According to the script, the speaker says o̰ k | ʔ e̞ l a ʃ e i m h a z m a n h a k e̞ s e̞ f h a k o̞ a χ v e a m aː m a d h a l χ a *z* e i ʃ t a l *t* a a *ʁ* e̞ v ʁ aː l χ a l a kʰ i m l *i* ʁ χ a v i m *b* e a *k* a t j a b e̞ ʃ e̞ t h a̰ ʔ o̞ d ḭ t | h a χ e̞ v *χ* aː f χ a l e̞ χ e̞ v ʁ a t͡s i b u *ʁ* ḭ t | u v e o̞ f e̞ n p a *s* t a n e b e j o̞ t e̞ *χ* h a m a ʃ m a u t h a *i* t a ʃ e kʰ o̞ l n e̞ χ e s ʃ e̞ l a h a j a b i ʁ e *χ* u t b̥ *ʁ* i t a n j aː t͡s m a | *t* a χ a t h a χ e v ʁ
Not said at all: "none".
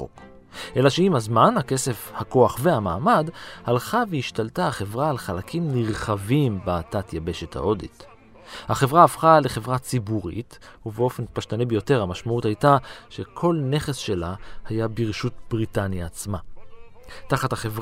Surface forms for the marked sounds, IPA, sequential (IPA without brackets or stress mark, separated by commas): v, t, χ, i, b, t, ʁ, ʁ, ʃ, ʁ, j, ʃ, ʁ, t